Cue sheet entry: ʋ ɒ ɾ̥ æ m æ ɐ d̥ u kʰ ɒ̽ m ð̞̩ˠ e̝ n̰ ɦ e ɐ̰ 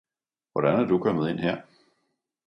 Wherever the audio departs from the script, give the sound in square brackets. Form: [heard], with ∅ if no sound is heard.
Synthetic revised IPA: ʋ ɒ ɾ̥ æ [n] æ ɐ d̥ u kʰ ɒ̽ m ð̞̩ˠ e̝ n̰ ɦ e ɐ̰